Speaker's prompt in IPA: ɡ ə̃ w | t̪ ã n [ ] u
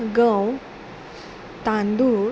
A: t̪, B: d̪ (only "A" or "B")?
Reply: B